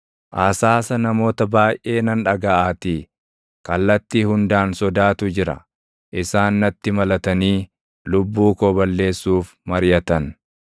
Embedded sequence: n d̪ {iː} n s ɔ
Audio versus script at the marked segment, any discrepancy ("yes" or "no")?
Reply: yes